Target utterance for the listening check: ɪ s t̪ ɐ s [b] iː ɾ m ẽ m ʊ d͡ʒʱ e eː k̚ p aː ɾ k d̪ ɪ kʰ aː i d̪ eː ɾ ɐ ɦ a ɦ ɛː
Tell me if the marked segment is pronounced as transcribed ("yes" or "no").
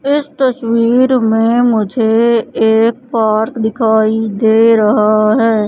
no